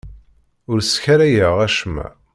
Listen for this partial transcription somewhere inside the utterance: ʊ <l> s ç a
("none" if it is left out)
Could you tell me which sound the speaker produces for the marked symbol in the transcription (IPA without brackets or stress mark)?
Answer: ɾ